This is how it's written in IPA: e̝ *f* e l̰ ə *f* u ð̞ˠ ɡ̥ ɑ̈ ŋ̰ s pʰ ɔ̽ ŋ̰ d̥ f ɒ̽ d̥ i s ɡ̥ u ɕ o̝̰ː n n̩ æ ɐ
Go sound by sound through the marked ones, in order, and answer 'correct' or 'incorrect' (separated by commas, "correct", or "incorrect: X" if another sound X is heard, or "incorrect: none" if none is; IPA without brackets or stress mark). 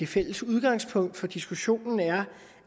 correct, incorrect: s